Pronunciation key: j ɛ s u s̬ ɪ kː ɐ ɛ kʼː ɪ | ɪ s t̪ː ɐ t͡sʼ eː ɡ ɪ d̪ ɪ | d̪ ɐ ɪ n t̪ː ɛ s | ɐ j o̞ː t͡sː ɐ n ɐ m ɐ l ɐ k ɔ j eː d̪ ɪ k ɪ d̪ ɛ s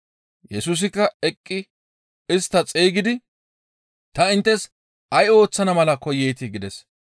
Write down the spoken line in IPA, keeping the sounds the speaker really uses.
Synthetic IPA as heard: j ɛ s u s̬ ɪ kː ɐ ɛ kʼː ɪ | ɪ s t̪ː ɐ t͡sʼ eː ɡ ɪ d̪ ɪ | t̪ ɐ ɪ n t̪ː ɛ s | ɐ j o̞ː t͡sː ɐ n ɐ m ɐ l ɐ k ɔ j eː t̪ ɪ ɡ ɪ d̪ ɛ s